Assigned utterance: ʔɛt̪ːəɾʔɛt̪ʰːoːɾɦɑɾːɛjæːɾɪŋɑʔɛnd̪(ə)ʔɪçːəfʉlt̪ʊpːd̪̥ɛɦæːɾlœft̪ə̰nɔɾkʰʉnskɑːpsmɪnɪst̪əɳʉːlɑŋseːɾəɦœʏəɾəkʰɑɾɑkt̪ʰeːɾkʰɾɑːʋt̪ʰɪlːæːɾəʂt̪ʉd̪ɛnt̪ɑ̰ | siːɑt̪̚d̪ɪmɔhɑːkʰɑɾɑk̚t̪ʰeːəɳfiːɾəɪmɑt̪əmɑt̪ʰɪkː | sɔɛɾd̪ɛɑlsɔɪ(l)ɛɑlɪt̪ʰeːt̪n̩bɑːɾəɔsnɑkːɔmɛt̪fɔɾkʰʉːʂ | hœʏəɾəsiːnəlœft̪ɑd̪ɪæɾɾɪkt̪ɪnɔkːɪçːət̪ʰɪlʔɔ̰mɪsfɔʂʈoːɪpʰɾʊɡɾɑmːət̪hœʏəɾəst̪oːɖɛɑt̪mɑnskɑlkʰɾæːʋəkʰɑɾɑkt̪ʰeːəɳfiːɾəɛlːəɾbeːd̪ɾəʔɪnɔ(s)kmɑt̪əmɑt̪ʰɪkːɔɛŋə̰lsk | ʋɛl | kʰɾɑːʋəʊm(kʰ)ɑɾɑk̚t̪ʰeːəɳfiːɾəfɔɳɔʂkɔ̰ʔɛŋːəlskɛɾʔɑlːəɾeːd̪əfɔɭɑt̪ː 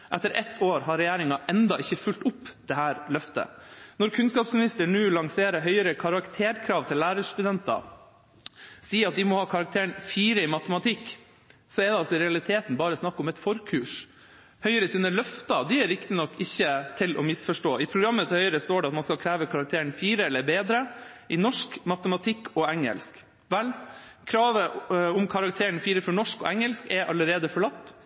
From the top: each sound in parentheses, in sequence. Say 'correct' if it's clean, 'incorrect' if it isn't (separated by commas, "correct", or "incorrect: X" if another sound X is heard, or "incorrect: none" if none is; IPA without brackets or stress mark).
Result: incorrect: ɑ, incorrect: ɾ, incorrect: ʂ, correct